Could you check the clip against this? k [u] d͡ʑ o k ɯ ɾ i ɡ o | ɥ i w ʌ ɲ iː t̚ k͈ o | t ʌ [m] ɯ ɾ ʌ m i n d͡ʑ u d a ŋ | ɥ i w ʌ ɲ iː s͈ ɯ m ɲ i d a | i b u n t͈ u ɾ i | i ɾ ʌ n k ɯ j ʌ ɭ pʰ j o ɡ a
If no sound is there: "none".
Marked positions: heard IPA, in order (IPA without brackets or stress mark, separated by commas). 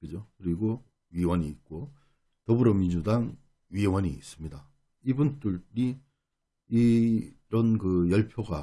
ɯ, b